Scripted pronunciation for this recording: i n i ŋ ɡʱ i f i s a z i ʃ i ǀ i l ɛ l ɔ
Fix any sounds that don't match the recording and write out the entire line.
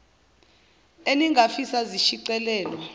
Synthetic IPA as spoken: e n i ŋ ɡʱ a f i s a z i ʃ i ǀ ɛ l ɛː l ɔ